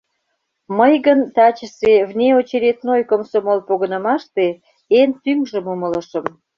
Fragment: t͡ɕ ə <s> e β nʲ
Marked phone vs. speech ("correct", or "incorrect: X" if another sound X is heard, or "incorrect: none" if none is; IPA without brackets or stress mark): correct